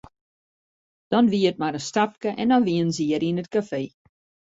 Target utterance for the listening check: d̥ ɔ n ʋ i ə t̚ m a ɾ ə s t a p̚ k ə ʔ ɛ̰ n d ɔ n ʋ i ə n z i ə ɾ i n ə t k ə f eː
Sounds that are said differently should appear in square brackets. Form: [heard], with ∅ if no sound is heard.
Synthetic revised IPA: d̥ ɔ n ʋ i ə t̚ m a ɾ ə s t a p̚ k ə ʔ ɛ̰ n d ɔ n ʋ i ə n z i ə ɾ i n ə t k [a] f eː